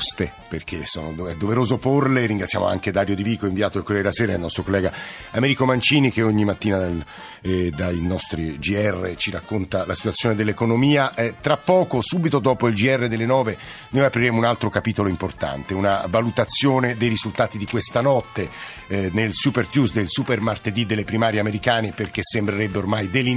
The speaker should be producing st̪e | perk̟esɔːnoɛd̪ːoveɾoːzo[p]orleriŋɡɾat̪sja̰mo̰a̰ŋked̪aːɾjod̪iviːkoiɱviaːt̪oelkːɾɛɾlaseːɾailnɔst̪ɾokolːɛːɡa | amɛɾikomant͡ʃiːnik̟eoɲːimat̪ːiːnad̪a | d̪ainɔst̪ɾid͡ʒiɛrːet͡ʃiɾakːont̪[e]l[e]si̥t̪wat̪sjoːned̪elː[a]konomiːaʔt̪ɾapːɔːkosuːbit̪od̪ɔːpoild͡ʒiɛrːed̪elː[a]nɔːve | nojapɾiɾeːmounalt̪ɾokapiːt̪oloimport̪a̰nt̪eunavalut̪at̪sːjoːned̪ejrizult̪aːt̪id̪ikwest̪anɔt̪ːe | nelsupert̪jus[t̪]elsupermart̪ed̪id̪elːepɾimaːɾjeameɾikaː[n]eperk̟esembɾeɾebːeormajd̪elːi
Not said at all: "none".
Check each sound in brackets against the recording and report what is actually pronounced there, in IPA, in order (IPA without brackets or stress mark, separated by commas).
p, a, a, e, e, d̪, n